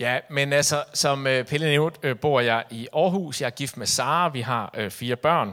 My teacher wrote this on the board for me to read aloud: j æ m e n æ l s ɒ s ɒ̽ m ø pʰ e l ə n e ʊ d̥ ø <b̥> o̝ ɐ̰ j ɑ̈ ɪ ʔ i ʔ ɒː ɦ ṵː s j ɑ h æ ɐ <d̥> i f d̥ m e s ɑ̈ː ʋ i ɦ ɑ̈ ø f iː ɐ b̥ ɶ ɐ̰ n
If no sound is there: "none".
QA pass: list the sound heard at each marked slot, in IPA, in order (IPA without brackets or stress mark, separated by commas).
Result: b̥, ɡ̥